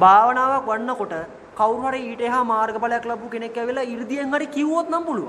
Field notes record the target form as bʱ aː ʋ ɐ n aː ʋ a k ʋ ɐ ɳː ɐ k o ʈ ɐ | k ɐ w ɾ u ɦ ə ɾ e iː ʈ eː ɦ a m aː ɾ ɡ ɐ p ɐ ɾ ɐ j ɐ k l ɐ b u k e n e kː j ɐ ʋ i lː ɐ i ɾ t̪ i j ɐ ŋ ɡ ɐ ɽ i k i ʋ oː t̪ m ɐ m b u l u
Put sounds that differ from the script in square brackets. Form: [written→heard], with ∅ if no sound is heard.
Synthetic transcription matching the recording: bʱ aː ʋ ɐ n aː ʋ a k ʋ ɐ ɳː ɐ k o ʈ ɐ | k ɐ w ɾ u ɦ [ə→ɐ] ɾ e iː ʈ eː ɦ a m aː ɾ ɡ ɐ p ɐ [ɾ→l] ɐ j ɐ k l ɐ b u k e n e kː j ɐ ʋ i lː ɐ i ɾ [t̪→d̪] i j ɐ ŋ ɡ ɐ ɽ i k i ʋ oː t̪ [m→n] ɐ m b u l u